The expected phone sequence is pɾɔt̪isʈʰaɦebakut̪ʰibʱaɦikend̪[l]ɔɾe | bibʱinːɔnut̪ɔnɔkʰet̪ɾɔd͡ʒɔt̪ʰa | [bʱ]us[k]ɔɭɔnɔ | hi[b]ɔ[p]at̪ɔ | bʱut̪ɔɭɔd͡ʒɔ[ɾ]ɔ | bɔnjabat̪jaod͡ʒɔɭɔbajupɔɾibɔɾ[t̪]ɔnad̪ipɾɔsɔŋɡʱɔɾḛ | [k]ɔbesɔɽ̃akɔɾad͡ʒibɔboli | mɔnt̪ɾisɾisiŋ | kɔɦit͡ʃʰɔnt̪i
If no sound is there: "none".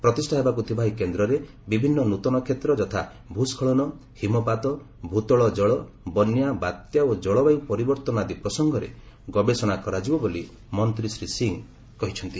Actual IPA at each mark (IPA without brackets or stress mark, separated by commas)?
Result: ɾ, bʱ, kʰ, m, p, ɭ, t̪, ɡ